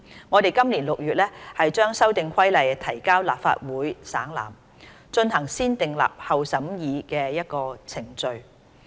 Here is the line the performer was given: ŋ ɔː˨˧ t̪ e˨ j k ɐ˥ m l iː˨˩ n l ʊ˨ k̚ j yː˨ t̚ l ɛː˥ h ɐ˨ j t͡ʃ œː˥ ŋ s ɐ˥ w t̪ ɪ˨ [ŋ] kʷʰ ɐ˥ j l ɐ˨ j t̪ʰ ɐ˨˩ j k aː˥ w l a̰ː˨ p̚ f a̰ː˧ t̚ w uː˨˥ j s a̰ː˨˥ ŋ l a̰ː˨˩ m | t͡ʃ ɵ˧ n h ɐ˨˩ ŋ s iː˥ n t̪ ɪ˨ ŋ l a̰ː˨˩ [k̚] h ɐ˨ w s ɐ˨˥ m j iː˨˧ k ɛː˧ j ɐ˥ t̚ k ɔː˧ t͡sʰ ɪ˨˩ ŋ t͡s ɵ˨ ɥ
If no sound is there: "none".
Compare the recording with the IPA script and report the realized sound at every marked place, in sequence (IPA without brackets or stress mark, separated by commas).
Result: ŋ, p̚